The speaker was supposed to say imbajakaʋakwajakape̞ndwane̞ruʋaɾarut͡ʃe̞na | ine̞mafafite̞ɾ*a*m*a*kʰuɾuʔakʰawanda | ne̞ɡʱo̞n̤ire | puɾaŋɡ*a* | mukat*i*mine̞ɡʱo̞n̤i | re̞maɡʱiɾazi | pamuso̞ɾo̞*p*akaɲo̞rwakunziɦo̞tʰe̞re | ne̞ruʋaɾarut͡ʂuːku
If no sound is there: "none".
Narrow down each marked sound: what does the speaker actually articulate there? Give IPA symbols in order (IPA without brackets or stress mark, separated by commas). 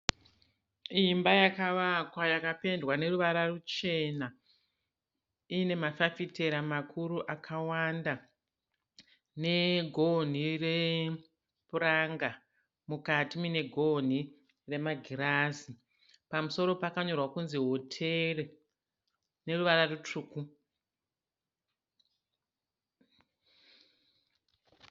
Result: a, a, a, i, p